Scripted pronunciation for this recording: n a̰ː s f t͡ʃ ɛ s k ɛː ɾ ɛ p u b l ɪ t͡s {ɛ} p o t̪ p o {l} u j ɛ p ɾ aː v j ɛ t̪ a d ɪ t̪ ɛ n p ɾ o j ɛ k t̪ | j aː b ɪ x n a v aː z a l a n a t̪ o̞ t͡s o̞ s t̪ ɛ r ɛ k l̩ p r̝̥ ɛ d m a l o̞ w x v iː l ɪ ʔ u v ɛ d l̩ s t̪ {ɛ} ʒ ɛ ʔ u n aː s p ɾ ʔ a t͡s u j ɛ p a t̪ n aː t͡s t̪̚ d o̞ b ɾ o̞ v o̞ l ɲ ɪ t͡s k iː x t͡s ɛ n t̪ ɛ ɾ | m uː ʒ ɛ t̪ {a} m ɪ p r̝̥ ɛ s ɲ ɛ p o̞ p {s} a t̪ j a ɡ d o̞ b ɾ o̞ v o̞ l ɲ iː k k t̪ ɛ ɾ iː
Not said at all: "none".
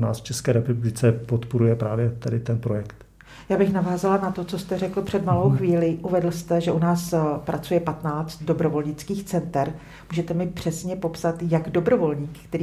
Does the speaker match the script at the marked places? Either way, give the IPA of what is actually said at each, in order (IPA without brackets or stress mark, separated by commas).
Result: ɛ, ɾ, ɛ, ɛ, s